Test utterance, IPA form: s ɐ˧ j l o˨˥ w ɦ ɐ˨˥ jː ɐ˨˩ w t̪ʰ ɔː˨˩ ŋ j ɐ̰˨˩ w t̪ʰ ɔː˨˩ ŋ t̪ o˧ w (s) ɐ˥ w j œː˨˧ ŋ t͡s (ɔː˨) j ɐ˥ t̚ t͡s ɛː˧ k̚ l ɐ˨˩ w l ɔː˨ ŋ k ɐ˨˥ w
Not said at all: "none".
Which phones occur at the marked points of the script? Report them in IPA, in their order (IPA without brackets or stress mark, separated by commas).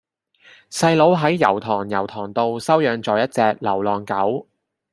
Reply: s, ɔː˨